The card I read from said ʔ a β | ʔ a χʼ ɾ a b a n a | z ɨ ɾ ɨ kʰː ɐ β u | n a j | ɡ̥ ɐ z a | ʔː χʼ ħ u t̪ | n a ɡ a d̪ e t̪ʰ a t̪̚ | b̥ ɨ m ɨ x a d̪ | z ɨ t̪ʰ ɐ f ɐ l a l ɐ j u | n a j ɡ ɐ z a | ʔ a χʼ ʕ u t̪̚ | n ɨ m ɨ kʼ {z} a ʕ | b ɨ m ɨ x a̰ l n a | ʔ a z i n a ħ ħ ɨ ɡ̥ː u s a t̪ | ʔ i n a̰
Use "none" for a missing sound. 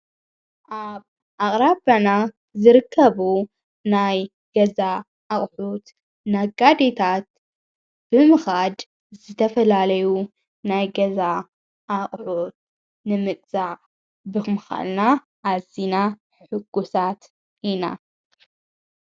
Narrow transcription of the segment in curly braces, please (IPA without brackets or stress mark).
z